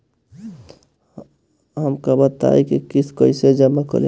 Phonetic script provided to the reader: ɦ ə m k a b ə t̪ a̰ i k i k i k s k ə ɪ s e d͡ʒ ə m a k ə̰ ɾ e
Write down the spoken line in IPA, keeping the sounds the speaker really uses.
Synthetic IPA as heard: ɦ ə m k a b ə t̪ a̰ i k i k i s k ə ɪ s e d͡ʒ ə m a k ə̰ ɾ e